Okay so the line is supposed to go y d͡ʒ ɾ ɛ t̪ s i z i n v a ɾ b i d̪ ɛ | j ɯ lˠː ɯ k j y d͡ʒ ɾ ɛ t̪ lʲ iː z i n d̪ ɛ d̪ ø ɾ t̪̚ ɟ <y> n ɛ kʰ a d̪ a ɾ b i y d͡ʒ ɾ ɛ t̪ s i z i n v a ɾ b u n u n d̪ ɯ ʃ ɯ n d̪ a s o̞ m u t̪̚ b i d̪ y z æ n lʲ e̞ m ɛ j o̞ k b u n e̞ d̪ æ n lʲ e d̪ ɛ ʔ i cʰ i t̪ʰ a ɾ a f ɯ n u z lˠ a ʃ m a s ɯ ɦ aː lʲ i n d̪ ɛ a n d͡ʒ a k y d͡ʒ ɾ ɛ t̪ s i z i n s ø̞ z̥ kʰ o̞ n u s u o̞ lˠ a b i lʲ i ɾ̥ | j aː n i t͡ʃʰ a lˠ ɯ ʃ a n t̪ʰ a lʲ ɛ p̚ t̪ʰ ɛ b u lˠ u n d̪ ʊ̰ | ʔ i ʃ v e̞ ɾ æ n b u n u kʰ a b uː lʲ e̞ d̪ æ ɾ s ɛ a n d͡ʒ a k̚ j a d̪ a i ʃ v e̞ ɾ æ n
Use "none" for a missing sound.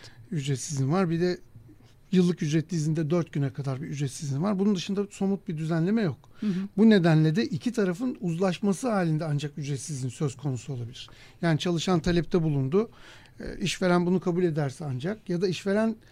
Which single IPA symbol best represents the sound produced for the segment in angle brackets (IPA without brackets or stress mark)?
y